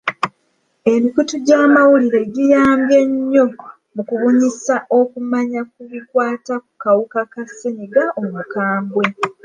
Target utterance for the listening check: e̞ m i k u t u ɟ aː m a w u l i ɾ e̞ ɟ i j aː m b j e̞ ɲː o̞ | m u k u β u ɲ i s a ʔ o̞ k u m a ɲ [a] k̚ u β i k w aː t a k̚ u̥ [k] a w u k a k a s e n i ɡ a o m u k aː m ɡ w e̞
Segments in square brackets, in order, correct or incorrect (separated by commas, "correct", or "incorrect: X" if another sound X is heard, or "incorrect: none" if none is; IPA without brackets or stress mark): correct, correct